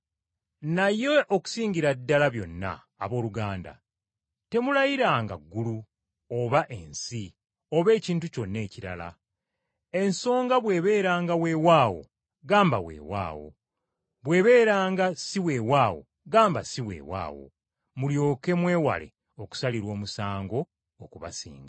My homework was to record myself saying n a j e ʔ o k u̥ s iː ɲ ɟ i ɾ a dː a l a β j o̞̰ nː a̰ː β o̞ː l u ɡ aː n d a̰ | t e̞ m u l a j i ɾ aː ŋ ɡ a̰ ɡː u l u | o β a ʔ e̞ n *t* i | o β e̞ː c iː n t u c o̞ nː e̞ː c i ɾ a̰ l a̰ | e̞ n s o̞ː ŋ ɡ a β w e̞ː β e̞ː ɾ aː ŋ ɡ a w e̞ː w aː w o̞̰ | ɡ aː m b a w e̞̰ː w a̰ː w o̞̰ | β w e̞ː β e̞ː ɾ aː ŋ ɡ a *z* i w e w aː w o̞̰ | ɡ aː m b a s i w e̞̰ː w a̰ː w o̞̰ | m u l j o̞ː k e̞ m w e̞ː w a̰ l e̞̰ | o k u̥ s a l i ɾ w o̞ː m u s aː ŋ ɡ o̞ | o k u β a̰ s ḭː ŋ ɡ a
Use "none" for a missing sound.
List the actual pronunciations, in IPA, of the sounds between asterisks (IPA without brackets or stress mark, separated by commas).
s, s